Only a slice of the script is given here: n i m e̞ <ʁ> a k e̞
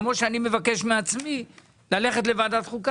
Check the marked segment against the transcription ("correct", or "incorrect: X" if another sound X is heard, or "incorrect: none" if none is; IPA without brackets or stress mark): incorrect: v